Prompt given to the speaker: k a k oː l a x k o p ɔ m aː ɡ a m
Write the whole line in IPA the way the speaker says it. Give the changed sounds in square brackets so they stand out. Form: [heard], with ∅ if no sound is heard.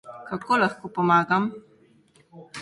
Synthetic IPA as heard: k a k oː l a x k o p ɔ m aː ɡ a m